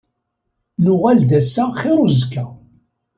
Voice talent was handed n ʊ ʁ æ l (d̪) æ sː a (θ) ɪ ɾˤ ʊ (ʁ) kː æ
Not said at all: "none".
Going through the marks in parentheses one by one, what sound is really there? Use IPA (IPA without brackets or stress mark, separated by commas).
d̪, χ, z